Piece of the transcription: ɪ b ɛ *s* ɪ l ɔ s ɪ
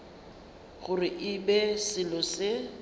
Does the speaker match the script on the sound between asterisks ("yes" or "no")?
yes